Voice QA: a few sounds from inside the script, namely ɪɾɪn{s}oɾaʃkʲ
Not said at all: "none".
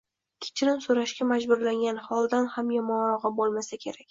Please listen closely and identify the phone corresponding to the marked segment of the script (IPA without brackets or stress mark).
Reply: s